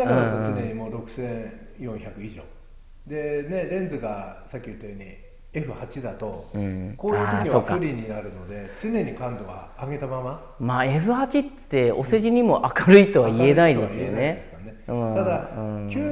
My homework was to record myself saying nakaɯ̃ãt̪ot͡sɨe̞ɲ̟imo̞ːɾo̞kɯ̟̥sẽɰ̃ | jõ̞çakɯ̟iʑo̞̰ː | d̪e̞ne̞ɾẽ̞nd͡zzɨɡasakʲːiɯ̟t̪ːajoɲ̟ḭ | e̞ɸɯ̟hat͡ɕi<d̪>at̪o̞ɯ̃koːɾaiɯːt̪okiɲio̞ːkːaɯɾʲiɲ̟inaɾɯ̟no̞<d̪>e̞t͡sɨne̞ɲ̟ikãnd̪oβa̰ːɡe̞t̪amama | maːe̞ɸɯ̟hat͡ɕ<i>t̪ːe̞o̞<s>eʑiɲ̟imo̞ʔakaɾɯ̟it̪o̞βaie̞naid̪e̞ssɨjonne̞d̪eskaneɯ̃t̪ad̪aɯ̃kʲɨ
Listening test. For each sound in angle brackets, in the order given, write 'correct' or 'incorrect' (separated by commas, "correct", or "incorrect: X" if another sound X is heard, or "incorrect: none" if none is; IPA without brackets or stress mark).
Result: correct, correct, correct, correct